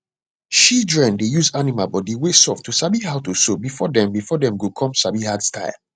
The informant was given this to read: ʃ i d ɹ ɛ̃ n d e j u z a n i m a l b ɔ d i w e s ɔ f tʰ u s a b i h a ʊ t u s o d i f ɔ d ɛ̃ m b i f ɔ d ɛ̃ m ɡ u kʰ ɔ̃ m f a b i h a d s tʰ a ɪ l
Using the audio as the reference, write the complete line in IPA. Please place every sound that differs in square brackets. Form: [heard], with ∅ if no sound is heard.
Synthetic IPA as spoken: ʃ i d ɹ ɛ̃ n d e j u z a n i m a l b ɔ d i w e s ɔ f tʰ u s a b i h a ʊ t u s o [b] i f ɔ d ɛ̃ m b i f ɔ d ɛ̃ m ɡ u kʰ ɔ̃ m [s] a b i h a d s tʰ a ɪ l